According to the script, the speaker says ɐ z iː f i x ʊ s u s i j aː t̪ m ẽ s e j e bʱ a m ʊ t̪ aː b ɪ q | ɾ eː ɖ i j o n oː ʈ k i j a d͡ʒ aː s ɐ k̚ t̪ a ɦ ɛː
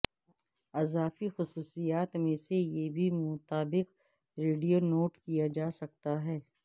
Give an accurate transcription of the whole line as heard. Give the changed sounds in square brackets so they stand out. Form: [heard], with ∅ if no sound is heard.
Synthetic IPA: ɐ z [aː] f i x ʊ s [uː] s i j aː t̪ m ẽ s e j e bʱ [i] m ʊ t̪ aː b ɪ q | ɾ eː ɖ i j o n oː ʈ k i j a d͡ʒ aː s ɐ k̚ t̪ a ɦ ɛː